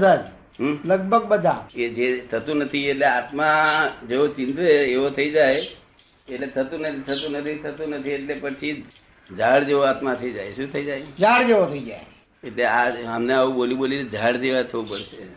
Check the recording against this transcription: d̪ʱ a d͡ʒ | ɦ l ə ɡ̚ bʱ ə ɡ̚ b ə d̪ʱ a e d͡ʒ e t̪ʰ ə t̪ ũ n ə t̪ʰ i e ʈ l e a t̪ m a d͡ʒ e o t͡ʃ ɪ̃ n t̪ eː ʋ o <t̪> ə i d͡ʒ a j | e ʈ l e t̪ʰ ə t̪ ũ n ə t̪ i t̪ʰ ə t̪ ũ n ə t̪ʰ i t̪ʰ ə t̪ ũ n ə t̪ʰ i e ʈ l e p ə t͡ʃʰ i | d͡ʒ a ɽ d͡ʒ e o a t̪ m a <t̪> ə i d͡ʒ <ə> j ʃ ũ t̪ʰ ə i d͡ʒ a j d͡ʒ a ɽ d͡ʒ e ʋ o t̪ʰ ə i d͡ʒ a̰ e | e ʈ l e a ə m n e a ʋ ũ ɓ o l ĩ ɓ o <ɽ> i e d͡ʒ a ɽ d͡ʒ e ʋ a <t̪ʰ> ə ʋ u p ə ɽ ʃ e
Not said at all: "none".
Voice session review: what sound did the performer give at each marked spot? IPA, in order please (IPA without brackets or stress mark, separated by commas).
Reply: t̪ʰ, t̪ʰ, a, l, t̪ʰ